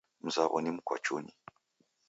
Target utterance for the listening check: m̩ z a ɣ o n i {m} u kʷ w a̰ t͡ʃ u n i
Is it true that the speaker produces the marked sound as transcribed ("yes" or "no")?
yes